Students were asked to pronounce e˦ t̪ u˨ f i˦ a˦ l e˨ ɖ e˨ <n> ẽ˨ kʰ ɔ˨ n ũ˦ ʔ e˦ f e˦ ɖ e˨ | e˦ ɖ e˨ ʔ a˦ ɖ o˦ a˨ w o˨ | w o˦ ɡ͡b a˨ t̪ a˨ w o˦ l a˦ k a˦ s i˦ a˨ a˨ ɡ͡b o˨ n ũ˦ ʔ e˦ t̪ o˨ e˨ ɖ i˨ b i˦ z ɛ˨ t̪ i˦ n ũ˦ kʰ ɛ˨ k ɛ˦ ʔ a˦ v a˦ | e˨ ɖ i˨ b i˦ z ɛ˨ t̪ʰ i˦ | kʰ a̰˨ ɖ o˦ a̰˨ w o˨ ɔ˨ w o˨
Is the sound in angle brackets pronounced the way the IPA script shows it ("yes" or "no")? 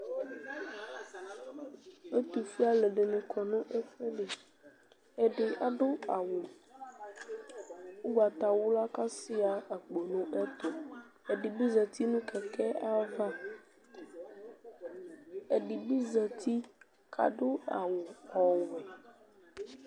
yes